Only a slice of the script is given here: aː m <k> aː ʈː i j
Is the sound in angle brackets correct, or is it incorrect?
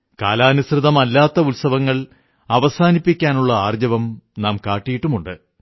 correct